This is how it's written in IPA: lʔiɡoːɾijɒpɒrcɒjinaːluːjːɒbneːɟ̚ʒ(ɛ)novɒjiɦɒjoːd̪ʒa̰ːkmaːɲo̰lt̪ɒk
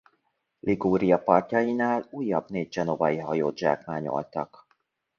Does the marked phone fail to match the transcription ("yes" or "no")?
no